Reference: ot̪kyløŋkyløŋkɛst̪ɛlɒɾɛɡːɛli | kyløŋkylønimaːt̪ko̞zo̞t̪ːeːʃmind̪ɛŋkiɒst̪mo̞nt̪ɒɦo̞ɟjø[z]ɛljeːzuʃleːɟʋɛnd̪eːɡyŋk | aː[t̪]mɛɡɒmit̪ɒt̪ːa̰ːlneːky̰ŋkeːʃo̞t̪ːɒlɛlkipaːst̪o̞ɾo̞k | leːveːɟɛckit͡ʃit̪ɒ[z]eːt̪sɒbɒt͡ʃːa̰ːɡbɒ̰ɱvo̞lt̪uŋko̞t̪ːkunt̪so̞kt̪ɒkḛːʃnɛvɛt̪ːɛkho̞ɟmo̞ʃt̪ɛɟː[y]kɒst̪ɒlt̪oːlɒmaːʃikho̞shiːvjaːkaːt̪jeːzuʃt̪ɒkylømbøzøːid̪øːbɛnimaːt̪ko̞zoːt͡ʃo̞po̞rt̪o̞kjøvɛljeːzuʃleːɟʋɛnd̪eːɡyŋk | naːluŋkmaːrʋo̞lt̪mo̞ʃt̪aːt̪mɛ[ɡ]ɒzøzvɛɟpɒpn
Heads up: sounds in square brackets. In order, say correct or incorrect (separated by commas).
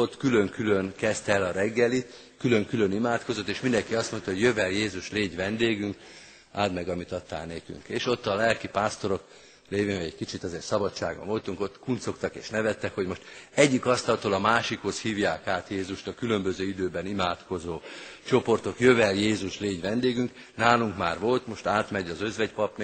incorrect, incorrect, correct, incorrect, incorrect